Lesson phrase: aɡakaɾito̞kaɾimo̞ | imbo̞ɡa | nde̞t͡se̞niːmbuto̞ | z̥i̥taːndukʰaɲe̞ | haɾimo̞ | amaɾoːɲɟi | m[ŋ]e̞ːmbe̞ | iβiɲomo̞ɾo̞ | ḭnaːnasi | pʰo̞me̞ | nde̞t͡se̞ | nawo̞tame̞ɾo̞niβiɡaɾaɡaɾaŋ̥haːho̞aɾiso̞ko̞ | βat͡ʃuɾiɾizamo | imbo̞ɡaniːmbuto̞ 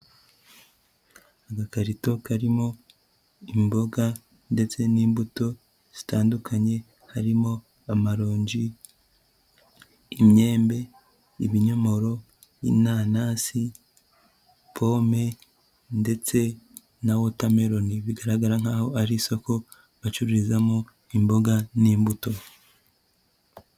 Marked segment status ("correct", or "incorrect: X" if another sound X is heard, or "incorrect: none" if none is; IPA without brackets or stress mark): incorrect: ɲ